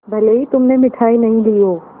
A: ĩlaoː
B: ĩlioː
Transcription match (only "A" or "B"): B